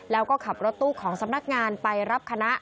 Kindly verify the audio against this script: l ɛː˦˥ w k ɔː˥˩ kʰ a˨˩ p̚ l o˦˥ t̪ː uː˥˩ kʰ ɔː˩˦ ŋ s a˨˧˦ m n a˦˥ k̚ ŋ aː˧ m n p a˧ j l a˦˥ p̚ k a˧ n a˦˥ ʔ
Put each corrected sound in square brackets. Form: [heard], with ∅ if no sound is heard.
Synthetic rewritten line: l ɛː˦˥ w k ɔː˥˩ kʰ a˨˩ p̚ [ɾ] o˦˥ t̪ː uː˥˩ kʰ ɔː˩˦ ŋ s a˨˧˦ m n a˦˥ k̚ ŋ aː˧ [∅] n p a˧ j [ɾ] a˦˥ p̚ [kʰ] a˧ n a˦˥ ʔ

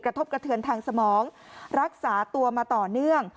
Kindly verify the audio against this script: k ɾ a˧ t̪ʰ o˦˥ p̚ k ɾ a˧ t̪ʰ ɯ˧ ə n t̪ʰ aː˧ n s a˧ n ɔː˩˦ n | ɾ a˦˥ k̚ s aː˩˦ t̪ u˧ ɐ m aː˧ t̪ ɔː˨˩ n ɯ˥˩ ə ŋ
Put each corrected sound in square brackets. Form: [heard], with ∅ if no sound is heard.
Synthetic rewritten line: k ɾ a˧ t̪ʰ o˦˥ p̚ k ɾ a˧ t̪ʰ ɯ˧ ə n t̪ʰ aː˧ [ŋ] s a˧ [m] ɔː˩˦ [ŋ] | ɾ a˦˥ k̚ s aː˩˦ t̪ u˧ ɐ m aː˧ t̪ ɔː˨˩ n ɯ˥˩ ə ŋ

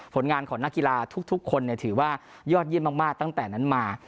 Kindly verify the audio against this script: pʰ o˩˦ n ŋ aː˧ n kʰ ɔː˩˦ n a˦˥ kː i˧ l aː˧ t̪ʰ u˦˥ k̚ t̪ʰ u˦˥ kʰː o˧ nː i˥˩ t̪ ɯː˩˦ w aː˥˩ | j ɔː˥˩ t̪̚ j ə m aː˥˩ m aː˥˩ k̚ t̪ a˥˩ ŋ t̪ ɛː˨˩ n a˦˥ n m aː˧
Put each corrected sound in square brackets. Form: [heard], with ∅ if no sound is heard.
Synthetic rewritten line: pʰ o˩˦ n ŋ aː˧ n kʰ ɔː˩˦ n a˦˥ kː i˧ l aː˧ t̪ʰ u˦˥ k̚ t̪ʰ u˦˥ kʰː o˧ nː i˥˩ [t̪ʰ] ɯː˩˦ w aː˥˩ | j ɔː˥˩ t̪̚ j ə m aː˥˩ m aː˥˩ k̚ t̪ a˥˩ ŋ t̪ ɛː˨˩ n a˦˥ n m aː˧

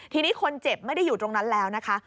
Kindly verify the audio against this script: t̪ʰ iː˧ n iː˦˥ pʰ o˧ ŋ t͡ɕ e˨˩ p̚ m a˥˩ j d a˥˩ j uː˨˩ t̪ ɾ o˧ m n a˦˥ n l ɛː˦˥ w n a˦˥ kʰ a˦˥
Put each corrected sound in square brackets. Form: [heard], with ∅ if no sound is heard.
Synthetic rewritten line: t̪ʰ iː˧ n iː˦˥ [kʰ] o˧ [n] t͡ɕ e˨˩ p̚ m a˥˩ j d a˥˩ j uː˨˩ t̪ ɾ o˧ [ŋ] n a˦˥ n l ɛː˦˥ w n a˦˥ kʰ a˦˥

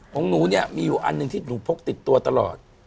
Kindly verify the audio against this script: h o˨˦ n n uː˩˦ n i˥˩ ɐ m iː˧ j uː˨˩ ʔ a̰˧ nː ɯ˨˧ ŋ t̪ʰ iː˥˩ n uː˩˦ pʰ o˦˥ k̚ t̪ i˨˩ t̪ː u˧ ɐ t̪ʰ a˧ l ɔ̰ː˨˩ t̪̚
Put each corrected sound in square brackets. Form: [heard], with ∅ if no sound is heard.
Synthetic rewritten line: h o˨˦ [ŋ] n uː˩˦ n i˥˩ ɐ m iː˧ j uː˨˩ ʔ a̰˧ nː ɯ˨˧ ŋ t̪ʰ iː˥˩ n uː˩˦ pʰ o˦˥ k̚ t̪ i˨˩ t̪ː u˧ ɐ [t̪] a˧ l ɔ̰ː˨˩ t̪̚

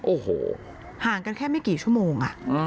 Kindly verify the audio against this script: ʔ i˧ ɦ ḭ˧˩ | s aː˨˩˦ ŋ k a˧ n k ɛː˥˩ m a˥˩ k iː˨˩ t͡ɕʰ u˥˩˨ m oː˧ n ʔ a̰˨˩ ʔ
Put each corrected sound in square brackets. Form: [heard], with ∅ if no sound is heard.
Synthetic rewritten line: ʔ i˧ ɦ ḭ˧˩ | [h] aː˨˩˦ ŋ k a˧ n [kʰ] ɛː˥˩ m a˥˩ k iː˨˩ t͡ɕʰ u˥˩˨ m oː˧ [ŋ] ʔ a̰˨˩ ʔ

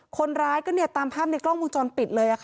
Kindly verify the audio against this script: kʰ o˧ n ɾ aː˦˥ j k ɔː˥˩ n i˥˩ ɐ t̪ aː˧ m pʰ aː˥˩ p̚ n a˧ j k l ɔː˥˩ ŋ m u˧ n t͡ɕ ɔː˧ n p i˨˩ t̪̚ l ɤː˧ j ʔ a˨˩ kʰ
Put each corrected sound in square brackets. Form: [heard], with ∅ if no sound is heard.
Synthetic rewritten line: kʰ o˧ n ɾ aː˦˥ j k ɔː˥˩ n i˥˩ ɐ t̪ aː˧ m pʰ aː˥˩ p̚ n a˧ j k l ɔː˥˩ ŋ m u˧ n t͡ɕ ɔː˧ n p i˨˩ t̪̚ l ɤː˧ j ʔ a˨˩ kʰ

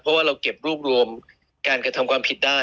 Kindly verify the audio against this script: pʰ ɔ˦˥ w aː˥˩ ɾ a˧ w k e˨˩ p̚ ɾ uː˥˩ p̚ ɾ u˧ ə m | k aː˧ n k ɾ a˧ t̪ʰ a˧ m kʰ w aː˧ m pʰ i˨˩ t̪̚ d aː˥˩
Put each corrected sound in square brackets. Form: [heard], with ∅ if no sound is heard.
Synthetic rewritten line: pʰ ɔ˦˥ w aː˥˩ ɾ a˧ w k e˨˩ p̚ ɾ uː˥˩ p̚ ɾ u˧ ə m | k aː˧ n k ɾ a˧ t̪ʰ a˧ m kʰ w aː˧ m pʰ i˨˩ t̪̚ d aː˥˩

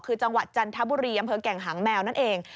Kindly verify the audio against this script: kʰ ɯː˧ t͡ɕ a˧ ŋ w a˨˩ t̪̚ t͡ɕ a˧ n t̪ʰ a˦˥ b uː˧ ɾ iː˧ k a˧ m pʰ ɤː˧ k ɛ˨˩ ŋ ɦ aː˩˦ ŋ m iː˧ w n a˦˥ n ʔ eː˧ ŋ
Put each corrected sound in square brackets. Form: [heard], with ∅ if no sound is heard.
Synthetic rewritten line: kʰ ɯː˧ t͡ɕ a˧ ŋ w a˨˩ t̪̚ t͡ɕ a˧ n t̪ʰ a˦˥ b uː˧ ɾ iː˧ [ʔ] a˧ m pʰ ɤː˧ k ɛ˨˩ ŋ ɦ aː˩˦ ŋ m [ɛː˧] w n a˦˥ n ʔ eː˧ ŋ

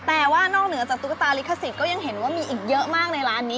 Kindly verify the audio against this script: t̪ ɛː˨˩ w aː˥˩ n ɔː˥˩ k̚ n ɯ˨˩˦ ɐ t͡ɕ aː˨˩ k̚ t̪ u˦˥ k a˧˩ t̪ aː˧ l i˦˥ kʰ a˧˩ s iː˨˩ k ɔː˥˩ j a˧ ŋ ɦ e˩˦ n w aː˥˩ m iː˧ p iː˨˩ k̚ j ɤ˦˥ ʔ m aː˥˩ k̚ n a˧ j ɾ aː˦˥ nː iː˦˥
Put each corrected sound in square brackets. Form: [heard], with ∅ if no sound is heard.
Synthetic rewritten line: t̪ ɛː˨˩ w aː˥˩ n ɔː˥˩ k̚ n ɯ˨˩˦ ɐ t͡ɕ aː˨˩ k̚ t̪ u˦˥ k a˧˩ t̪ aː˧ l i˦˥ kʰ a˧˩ s [i˨˩] k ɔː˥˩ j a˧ ŋ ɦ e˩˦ n w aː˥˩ m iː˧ [ʔ] iː˨˩ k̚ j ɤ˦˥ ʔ m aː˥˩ k̚ n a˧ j ɾ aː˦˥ nː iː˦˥

